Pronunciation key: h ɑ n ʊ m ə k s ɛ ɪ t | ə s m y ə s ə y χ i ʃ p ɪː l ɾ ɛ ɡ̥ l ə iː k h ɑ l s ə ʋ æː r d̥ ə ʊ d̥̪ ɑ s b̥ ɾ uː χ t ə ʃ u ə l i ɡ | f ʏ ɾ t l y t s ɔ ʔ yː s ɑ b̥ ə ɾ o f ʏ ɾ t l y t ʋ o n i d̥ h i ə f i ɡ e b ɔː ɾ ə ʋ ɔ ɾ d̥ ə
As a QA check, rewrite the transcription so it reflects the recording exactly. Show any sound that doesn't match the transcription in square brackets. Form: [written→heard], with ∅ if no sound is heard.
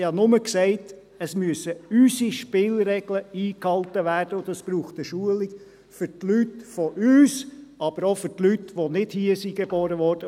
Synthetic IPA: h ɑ n ʊ m ə k s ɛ ɪ t | ə s m y ə s ə y [χ→s] i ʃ p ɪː l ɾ ɛ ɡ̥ l ə iː k h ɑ l [s→t] ə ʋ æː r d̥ ə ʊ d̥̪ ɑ s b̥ ɾ uː χ t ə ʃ u ə l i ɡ | f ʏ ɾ t l y t [s→f] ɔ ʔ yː s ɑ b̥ ə ɾ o f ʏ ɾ t l y t ʋ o n [i→ɪ] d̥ h i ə [f→s] i ɡ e b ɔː ɾ ə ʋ ɔ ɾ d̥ ə